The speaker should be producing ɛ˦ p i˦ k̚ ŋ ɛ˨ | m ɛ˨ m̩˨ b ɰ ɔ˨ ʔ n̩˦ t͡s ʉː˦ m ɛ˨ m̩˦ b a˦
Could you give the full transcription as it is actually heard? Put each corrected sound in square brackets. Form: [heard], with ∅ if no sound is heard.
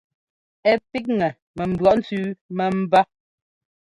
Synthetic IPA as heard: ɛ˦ p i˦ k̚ ŋ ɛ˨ | m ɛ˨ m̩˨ b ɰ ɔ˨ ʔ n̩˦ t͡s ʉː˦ m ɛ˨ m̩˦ b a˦